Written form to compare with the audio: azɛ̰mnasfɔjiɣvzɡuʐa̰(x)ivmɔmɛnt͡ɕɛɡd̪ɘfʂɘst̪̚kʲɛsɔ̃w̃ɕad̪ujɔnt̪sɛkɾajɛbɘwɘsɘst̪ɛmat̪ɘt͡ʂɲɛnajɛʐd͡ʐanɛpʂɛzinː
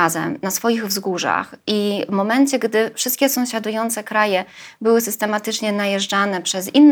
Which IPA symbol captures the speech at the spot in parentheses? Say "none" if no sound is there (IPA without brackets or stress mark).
x